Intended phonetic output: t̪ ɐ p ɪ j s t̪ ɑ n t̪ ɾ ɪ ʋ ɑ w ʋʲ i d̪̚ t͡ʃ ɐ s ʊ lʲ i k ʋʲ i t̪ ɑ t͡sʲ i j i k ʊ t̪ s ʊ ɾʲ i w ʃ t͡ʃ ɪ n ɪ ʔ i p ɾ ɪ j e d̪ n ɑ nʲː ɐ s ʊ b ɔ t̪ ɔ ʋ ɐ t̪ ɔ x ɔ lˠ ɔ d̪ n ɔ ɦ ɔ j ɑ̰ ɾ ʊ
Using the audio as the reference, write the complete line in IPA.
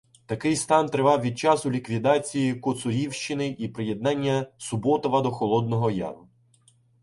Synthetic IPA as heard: t̪ ɐ k ɪ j s t̪ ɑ n t̪ ɾ ɪ ʋ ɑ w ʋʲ i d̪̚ t͡ʃ ɑ s ʊ lʲ i k ʋʲ i d̪ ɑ t͡sʲ i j i k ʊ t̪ s ʊ ɾʲ i w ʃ t͡ʃ ɪ n ɪ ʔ i p ɾ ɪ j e d̪ n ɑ nʲː ɐ s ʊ b ɔ t̪ ɔ ʋ ɐ d̪ ɔ x ɔ lˠ ɔ d̪ n ɔ ɦ ɔ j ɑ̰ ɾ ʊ